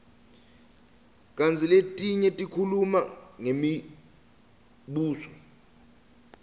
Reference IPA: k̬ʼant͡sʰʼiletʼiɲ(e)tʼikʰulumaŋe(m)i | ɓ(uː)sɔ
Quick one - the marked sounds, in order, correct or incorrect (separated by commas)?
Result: incorrect, correct, correct